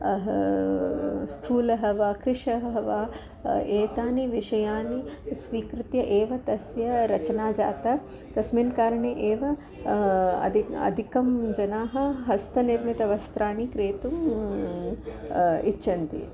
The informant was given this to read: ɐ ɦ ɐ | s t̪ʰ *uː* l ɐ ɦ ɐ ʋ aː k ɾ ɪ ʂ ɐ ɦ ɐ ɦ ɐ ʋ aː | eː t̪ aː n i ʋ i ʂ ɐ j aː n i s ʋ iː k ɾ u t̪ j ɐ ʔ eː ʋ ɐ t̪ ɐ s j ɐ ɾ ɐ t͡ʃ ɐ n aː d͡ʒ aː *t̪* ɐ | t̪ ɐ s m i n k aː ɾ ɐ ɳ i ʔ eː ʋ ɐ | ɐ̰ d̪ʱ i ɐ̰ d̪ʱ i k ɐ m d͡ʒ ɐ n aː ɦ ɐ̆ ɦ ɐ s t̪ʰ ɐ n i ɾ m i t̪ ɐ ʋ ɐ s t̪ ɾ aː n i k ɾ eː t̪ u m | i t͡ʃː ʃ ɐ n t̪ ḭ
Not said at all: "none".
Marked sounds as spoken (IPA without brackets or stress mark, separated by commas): uː, t̪